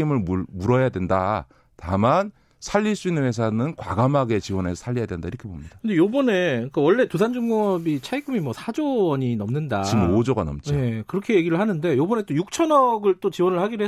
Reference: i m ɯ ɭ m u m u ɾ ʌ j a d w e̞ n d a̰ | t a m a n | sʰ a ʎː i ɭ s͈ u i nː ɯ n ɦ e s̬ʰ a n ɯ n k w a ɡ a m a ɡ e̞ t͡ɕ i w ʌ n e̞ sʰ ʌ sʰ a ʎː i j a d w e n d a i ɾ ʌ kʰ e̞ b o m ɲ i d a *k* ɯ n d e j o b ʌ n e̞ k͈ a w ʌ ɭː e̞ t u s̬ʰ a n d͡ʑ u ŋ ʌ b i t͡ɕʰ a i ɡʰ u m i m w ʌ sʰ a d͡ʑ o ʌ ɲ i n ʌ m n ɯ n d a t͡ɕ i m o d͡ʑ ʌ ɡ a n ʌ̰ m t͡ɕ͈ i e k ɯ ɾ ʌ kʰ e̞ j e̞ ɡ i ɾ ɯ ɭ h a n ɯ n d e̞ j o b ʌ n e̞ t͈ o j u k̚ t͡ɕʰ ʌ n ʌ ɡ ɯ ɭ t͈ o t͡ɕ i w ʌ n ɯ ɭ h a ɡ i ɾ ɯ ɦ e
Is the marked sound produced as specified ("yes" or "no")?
yes